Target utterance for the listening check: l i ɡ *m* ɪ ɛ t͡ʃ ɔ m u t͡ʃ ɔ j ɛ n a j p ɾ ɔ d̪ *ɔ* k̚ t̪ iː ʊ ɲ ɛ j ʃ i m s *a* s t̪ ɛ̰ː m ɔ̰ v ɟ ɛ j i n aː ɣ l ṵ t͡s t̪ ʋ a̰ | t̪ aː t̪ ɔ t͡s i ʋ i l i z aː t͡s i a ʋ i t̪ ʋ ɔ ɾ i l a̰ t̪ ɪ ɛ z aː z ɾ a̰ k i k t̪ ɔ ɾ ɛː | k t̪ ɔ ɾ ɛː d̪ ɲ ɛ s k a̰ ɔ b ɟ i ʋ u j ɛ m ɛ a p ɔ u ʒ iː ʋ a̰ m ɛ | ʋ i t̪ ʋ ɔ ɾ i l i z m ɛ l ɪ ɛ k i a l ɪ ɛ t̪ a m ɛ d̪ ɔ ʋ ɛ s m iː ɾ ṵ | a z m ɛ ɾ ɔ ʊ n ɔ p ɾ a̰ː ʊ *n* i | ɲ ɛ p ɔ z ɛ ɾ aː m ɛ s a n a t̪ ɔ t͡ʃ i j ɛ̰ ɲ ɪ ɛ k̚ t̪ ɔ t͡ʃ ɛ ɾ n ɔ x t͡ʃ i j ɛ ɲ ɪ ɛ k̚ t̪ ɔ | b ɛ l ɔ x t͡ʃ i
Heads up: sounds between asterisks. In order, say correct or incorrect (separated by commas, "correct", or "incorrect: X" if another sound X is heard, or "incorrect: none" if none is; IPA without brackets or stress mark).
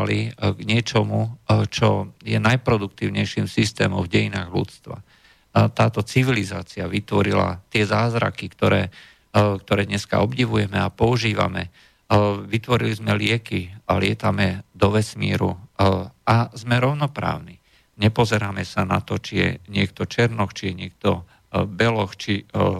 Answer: incorrect: ɲ, incorrect: u, incorrect: i, correct